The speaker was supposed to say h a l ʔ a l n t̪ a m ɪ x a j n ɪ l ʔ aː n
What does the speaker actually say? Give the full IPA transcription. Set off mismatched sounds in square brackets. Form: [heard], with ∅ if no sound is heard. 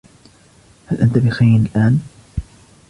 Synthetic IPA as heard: h a l ʔ a [∅] n t̪ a [b] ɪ x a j n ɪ l ʔ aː n